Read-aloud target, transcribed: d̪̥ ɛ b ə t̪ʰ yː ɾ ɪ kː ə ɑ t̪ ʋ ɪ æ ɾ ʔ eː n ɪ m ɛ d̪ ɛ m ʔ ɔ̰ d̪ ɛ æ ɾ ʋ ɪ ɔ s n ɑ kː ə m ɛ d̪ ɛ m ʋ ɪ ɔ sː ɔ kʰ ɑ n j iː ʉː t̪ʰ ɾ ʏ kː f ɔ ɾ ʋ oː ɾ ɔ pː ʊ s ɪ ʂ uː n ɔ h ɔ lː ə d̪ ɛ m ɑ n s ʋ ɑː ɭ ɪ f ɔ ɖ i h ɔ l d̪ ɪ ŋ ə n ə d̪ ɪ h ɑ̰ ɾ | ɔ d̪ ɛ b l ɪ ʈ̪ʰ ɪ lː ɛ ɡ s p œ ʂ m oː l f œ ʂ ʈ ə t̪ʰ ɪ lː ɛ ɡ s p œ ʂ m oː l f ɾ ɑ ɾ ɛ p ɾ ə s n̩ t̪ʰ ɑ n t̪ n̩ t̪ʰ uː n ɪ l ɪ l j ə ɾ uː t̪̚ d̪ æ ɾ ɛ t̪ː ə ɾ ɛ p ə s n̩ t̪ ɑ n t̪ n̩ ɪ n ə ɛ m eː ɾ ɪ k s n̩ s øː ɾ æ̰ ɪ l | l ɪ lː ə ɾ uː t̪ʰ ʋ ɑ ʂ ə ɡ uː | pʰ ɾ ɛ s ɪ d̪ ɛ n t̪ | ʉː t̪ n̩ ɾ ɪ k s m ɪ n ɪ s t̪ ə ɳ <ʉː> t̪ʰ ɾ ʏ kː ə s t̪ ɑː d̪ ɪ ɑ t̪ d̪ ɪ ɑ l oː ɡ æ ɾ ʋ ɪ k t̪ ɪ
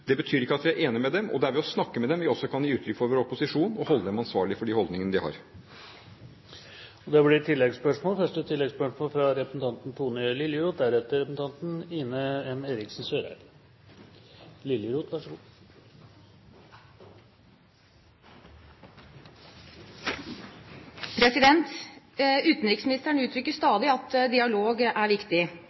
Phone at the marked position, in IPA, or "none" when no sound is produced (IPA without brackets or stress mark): ʉː